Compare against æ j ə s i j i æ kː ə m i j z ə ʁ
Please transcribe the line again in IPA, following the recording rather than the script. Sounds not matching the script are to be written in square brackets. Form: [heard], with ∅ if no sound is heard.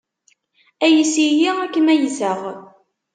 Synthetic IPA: æ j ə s i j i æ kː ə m [æ] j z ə ʁ